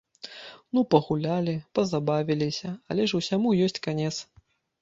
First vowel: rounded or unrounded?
rounded